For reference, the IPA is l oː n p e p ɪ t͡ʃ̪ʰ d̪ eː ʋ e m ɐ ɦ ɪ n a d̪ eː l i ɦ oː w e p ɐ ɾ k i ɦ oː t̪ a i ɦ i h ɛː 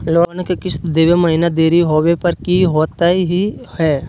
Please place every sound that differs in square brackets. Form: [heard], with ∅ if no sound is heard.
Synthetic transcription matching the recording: l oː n [k] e [k] ɪ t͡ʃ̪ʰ d̪ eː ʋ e m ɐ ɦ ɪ n a d̪ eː [ɾ] i ɦ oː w e p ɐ ɾ k i ɦ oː t̪ a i ɦ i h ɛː